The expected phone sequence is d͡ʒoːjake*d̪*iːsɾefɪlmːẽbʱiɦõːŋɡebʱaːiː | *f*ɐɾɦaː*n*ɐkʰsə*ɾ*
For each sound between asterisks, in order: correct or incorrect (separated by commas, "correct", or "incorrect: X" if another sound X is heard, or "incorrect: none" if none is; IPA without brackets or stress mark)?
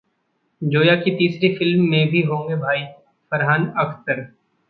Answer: incorrect: t̪, correct, correct, correct